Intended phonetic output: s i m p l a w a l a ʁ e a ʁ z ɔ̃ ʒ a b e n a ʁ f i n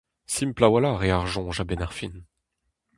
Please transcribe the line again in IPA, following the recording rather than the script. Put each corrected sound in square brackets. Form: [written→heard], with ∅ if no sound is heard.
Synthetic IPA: s i m p l a w a l a ʁ e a ʁ [z→ʒ] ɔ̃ ʒ a b e n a ʁ f i n